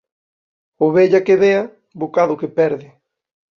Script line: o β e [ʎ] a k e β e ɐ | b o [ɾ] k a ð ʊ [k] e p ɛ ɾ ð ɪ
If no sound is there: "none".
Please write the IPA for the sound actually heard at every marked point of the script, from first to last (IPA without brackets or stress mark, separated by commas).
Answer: ʎ, none, k